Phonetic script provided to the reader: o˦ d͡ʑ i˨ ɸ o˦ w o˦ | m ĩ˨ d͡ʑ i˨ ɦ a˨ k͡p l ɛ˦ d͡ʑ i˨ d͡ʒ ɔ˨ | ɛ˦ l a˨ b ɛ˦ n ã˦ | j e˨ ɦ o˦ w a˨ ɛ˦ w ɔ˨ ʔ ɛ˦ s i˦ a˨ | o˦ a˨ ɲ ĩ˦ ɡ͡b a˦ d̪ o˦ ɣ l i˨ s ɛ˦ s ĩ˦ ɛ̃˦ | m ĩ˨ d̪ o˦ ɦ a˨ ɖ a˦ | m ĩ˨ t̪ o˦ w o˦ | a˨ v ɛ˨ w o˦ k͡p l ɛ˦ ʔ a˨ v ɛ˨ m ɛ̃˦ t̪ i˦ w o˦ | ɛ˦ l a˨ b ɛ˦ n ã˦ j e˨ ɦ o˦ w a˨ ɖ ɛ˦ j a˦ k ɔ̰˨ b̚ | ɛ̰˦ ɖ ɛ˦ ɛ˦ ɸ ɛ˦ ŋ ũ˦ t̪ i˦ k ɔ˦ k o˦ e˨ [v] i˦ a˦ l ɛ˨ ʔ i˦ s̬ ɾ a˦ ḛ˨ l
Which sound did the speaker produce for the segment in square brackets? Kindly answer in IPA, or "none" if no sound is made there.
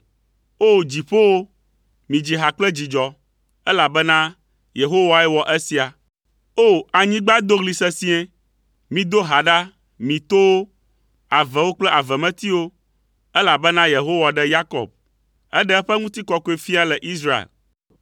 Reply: f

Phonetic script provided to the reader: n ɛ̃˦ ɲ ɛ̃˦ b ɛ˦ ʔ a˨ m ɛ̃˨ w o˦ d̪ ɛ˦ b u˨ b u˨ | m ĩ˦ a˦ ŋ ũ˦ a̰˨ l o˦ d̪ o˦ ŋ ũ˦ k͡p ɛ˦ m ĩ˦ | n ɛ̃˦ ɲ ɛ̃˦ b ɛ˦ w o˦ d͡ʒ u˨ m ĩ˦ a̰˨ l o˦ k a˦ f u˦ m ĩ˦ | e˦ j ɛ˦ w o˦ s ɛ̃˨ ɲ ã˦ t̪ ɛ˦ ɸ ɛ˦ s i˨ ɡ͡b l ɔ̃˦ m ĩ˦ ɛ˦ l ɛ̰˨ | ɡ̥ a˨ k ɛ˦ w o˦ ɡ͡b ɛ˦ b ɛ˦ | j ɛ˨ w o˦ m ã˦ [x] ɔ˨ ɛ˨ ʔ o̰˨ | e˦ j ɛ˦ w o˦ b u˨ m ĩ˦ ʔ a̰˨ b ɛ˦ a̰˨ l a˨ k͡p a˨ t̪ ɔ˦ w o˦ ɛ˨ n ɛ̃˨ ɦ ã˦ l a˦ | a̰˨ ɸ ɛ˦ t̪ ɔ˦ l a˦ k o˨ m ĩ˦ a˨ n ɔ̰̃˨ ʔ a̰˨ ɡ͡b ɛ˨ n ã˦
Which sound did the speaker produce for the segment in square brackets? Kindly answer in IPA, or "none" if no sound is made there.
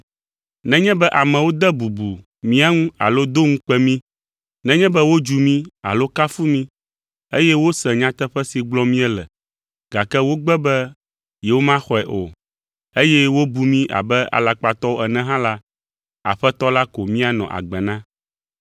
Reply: x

